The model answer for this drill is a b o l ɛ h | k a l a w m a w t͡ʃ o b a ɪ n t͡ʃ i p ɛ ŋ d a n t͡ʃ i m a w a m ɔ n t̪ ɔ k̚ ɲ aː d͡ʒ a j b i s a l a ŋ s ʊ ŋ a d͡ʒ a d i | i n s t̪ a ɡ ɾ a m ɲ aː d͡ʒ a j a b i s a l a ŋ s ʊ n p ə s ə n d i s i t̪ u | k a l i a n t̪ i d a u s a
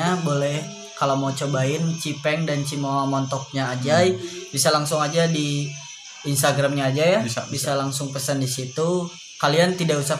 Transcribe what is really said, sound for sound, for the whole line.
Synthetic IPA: a b o l ɛ h | k a l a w m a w t͡ʃ o b a ɪ n t͡ʃ i p ɛ ŋ d a n t͡ʃ i m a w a m ɔ n t̪ ɔ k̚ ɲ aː d͡ʒ a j b i s a l a ŋ s ʊ ŋ a d͡ʒ a d i | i n s t̪ a ɡ ɾ a m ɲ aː d͡ʒ a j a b i s a l a ŋ s ʊ ŋ p ə s ə n d i s i t̪ u | k a l i a n t̪ i d a u s a